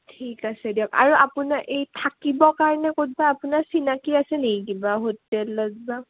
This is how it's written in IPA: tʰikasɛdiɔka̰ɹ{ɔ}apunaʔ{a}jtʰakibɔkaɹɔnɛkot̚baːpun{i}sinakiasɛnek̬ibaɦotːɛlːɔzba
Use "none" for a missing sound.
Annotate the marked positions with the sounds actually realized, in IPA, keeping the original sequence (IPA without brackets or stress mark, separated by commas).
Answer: u, e, a